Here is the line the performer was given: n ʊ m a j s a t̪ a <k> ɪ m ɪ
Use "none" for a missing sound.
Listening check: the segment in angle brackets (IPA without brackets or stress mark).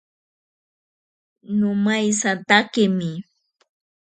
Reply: k